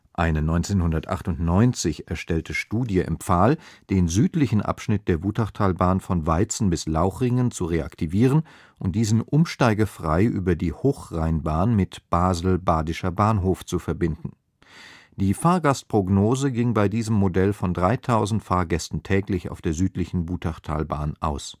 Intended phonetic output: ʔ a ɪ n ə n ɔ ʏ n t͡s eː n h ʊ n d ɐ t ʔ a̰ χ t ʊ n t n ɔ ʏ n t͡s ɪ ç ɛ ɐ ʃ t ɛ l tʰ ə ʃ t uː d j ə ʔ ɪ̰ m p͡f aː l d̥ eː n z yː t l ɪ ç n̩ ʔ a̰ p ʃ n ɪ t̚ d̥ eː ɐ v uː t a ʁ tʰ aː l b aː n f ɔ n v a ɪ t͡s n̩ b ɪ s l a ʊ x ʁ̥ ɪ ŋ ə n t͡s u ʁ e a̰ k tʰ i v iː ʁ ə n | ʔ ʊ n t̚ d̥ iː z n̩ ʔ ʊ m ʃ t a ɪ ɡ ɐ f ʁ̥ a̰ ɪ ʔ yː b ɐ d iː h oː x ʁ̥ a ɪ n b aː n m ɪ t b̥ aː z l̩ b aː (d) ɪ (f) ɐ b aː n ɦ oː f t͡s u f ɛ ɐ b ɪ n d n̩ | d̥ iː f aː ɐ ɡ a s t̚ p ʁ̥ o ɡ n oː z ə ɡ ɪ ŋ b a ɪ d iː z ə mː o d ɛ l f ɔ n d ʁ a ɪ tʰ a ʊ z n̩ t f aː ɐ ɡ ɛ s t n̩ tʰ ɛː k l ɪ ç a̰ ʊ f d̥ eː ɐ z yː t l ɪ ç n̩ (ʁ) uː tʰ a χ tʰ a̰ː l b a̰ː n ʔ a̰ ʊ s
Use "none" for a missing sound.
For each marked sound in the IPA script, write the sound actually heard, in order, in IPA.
d, ʃ, v

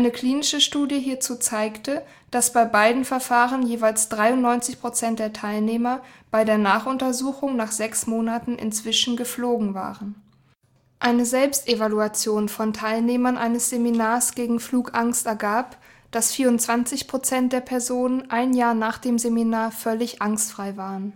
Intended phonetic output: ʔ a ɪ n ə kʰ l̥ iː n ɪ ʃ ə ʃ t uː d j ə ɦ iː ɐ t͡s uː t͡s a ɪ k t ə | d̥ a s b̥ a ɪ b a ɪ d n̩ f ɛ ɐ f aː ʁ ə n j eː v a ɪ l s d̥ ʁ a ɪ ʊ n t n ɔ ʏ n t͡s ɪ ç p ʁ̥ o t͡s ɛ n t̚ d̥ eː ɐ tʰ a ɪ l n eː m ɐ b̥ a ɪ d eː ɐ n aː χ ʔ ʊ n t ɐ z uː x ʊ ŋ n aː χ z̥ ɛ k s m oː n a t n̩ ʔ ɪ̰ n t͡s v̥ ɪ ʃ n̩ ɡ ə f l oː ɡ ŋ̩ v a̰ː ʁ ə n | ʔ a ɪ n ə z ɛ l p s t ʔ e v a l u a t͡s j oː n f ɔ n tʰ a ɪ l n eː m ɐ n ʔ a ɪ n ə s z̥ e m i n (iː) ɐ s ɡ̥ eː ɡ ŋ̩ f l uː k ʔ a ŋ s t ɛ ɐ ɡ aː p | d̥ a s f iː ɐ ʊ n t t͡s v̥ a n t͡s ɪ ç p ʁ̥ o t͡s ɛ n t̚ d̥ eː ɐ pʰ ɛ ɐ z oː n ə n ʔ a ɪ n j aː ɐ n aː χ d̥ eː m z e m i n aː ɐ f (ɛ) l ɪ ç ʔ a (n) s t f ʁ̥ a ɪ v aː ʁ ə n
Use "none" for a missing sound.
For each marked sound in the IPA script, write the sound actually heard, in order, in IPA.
aː, œ, ŋ

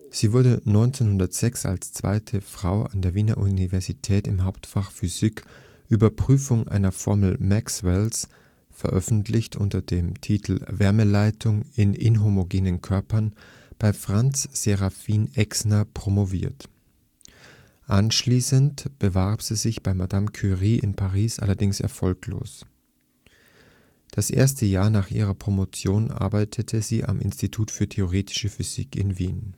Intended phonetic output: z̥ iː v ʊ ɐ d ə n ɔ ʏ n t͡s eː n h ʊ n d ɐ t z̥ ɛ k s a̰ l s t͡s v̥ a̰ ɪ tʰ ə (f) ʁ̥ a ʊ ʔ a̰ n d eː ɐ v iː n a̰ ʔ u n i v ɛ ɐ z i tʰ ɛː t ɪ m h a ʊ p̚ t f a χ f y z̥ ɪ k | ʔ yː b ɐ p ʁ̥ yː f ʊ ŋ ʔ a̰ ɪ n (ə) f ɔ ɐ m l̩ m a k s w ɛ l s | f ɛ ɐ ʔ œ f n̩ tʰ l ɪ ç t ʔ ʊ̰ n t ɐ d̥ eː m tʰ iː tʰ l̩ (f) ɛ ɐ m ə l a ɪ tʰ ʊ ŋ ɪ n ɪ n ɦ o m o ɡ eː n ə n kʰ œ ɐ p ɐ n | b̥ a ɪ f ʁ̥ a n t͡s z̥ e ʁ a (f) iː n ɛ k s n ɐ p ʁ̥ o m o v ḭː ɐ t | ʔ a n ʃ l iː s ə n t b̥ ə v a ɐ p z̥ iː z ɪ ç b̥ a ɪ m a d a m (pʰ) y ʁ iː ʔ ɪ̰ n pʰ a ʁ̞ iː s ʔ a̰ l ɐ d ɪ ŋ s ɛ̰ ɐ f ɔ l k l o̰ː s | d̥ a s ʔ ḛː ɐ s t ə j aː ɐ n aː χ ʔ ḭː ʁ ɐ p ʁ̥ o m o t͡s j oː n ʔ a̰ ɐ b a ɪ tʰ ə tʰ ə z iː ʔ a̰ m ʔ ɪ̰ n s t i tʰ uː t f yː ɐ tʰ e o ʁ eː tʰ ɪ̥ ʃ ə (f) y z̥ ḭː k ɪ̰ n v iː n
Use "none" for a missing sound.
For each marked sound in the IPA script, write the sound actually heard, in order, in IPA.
f, ɐ, v, f, kʰ, f

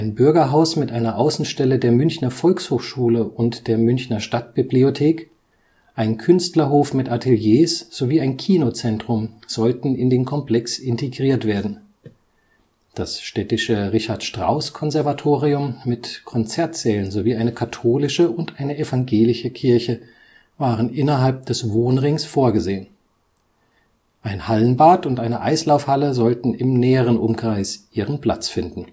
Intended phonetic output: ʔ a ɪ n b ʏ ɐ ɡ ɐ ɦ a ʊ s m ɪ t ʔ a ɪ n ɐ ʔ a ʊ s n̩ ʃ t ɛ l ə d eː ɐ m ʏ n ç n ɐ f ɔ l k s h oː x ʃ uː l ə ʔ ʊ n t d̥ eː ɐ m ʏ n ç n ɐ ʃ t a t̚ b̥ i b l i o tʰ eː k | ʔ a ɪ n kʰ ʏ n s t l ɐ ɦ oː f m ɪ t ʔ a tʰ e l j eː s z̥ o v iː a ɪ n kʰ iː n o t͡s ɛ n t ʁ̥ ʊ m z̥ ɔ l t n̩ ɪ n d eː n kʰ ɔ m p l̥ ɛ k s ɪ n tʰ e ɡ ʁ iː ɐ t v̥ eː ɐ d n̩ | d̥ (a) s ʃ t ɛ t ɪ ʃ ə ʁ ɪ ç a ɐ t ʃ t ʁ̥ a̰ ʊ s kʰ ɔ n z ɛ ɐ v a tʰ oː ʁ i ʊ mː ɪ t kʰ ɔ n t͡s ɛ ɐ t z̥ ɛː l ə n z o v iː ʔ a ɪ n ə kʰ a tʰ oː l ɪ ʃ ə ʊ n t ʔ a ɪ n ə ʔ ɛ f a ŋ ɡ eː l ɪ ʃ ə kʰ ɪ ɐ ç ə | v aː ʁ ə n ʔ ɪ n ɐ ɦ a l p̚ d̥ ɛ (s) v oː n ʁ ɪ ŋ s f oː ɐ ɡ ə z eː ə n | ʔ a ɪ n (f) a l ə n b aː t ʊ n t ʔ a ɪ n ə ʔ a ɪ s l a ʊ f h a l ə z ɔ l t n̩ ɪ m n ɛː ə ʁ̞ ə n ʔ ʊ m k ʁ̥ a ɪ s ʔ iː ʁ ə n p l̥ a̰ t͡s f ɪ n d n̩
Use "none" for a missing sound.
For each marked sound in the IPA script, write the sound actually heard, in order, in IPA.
a, s, h

